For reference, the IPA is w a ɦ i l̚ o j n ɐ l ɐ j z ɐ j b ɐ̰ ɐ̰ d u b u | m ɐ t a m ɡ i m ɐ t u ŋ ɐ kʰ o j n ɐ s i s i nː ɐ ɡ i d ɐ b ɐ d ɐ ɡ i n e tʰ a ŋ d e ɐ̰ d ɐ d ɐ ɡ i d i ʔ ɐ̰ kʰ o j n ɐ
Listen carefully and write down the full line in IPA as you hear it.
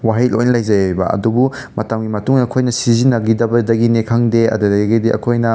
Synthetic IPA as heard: w a ɦ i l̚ o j n ɐ l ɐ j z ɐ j b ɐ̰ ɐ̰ d u b u | m ɐ t a m ɡ i m ɐ t u ŋ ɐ kʰ o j n ɐ s i z i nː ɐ ɡ i d ɐ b ɐ d ɐ ɡ i n e kʰ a ŋ d e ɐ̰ d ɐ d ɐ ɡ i d i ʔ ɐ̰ kʰ o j n ɐ